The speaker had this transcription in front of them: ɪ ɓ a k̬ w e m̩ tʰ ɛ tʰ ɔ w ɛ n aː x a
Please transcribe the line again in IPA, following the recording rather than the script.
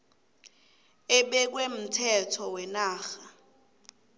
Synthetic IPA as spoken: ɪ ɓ ɛ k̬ w e m̩ tʰ ɛ tʰ ɔ w ɛ n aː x a

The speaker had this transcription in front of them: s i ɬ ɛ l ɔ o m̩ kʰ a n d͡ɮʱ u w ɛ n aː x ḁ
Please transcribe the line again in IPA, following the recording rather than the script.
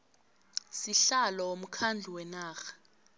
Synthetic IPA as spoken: s i ɬ a l ɔ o m̩ kʰ a n d͡ɮʱ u w ɛ n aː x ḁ

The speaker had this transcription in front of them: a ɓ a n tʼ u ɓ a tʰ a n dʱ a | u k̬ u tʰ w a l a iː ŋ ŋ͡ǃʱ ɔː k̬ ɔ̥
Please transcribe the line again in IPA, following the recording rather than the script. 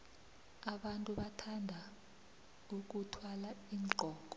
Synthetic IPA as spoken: a ɓ a n tʼ u ɓ a tʰ a n dʱ a | u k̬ u tʰ w a l a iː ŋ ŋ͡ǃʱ ɔː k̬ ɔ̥

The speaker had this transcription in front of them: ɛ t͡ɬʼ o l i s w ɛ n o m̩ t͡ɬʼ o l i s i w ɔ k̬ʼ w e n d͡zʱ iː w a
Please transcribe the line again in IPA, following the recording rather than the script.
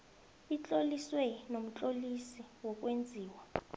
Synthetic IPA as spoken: i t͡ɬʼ o l i s w ɛ n o m̩ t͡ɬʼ o l i s i w ɔ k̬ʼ w e n d͡zʱ iː w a

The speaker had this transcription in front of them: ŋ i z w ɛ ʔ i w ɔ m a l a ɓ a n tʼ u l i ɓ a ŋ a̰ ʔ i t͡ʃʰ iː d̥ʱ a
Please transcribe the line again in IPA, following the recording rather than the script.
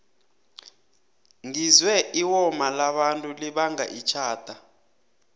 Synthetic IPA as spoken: ŋ i z w ɛ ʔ i w ɔ m a l a ɓ a n tʼ u l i ɓ a ŋ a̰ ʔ i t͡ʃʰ aː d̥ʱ a

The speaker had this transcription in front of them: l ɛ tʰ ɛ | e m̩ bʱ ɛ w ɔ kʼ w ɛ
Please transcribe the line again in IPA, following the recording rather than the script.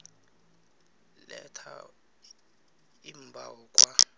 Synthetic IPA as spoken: l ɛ tʰ a | i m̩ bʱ a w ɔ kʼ w a

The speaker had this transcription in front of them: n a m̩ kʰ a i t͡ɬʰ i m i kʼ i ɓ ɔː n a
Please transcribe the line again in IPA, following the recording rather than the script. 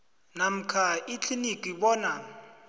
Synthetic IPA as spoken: n a m̩ kʰ a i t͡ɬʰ i n i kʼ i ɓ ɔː n a

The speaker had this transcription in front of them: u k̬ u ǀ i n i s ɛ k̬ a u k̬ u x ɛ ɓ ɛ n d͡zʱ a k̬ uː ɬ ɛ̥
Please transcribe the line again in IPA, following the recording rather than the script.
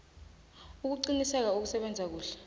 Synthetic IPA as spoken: u k̬ u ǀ i n i s ɛ k̬ a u k̬ u s ɛ ɓ ɛ n d͡zʱ a k̬ uː ɬ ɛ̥

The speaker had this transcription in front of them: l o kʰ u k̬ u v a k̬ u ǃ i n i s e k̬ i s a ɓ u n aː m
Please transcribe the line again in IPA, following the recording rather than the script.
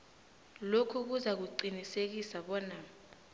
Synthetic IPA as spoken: l o kʰ u k̬ u z a k̬ u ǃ i n i s e k̬ i s a ɓ ɔ n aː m

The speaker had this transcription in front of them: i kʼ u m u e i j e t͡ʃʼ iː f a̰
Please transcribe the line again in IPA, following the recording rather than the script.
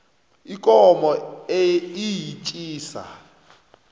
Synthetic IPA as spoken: i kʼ ɔ m ɔ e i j i t͡ʃʼ iː s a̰

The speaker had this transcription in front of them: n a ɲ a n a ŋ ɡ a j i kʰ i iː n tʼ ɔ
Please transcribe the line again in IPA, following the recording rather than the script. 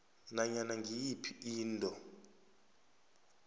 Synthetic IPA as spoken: n a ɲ a n a ŋ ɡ i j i pʰ i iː n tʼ ɔ

